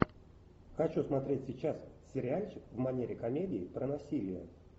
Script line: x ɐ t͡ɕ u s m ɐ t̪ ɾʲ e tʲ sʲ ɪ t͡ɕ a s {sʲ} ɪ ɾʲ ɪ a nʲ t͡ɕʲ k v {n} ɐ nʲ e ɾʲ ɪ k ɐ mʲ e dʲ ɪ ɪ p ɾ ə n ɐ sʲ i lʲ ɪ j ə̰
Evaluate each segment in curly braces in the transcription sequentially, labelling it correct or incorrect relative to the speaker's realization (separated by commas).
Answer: correct, incorrect